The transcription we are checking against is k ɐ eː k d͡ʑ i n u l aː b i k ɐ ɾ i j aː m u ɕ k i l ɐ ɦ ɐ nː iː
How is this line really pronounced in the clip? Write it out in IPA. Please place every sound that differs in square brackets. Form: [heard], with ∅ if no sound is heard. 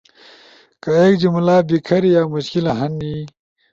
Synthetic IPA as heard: k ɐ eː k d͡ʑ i [m] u l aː b i [kʰ] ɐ ɾ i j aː m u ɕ k i l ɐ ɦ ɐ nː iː